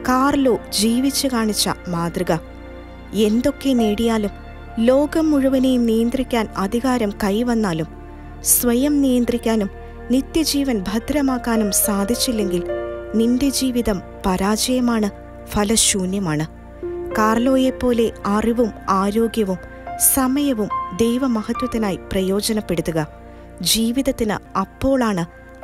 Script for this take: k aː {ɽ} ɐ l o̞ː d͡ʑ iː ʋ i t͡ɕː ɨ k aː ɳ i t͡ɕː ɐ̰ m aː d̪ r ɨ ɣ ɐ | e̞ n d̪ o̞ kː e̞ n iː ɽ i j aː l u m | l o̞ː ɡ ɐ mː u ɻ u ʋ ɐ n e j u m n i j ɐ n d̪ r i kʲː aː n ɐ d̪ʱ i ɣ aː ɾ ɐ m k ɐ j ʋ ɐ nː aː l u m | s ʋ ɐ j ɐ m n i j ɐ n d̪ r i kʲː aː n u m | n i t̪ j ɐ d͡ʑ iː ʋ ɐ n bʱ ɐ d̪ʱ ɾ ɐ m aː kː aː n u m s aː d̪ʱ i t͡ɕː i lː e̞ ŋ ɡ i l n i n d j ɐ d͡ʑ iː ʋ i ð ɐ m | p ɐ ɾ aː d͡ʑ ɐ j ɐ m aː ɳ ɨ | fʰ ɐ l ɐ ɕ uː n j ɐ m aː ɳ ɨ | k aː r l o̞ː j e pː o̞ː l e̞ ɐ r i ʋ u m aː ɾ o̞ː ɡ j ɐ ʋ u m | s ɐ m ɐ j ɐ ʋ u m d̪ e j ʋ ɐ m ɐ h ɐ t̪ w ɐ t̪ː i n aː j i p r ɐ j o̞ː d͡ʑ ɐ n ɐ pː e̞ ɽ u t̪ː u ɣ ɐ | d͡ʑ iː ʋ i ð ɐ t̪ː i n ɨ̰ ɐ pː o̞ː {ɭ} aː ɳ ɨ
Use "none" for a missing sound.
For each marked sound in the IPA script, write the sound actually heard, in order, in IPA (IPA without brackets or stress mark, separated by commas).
r, ɭ